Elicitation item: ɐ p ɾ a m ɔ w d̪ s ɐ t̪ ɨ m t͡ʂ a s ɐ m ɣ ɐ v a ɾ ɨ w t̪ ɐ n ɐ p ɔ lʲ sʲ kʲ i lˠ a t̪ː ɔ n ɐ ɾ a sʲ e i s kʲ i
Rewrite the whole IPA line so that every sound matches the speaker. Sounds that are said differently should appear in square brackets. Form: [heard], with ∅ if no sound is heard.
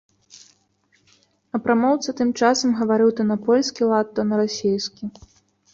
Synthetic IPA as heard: ɐ p ɾ a m ɔ w [t̪] s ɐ t̪ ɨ m t͡ʂ a s ɐ m ɣ ɐ v a ɾ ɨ w t̪ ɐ n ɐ p ɔ lʲ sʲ kʲ i lˠ a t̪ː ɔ n ɐ ɾ a sʲ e [j] s kʲ i